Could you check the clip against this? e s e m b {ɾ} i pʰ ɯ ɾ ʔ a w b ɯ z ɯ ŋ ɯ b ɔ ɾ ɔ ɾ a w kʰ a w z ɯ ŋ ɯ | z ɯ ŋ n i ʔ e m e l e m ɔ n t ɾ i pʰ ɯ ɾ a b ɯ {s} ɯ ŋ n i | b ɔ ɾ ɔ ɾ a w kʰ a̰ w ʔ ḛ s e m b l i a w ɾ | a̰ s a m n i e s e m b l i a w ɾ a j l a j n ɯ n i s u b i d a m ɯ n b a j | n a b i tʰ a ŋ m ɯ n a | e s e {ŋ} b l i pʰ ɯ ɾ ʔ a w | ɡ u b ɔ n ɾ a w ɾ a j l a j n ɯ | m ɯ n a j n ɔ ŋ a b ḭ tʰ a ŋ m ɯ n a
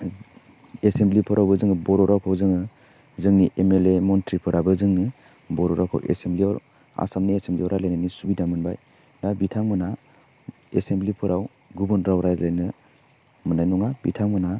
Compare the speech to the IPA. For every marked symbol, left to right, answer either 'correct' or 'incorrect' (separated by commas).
incorrect, incorrect, incorrect